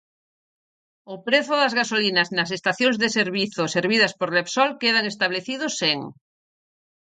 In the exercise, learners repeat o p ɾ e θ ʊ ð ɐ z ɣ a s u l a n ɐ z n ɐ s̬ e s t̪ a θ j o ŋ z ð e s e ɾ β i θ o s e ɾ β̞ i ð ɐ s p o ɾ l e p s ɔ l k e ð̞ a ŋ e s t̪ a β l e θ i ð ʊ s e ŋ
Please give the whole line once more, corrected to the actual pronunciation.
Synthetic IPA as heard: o p ɾ e θ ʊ ð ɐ z ɣ a s o l i n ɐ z n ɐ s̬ e s t̪ a θ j o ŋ z ð e s e ɾ β i θ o s e ɾ β̞ i ð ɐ s p o ɾ l e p s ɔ l k e ð̞ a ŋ e s t̪ a β l e θ i ð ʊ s e ŋ